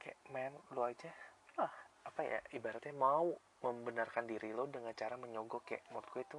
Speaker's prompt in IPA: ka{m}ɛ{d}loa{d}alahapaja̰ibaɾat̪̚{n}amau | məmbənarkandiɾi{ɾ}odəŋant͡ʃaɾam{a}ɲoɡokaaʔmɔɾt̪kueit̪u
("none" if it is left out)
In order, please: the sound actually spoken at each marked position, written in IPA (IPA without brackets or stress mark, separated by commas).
m, n, d͡ʒ, ɲ, l, ə